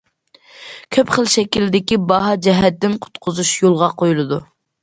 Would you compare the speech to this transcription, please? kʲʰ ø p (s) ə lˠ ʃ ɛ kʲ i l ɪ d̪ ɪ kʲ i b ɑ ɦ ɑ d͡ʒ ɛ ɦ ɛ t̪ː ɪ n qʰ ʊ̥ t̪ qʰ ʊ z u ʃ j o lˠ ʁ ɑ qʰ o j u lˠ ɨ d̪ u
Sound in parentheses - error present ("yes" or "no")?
yes